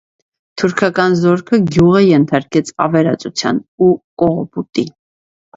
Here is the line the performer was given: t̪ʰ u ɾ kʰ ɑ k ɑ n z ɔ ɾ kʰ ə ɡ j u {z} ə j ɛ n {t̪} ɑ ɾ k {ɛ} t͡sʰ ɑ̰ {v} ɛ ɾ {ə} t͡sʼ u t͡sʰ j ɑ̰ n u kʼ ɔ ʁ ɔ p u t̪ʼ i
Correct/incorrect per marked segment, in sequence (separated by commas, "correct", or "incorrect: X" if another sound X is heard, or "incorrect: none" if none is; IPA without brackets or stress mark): incorrect: ʁ, incorrect: t̪ʰ, correct, correct, incorrect: ɑ